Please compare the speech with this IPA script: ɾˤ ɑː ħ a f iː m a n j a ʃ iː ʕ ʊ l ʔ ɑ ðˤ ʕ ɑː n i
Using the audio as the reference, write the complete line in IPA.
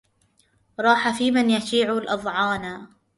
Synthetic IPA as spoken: ɾˤ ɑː ħ a f iː m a n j a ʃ iː ʕ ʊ l ʔ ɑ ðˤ ʕ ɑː n a